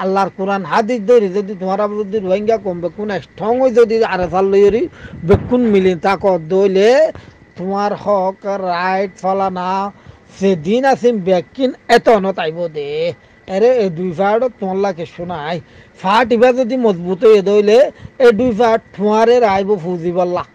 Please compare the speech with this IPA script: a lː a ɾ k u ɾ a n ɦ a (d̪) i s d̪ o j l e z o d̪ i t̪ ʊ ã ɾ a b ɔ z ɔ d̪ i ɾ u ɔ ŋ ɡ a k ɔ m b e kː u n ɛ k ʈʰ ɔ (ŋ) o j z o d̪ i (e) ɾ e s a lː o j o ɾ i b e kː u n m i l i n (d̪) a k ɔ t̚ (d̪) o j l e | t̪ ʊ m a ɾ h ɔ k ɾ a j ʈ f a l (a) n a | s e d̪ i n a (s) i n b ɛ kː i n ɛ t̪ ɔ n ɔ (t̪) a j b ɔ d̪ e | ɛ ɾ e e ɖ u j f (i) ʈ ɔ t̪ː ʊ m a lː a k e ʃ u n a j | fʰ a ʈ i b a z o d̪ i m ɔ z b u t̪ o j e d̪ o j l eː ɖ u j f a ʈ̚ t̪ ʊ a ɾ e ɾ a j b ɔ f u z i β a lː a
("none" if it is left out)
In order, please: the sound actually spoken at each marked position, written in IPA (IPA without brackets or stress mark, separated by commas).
d̪, ŋ, a, t̪, d̪, a, s, t̪, a